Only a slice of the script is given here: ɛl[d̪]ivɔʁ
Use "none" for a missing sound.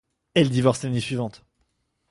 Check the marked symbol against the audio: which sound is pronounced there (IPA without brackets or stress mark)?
d̪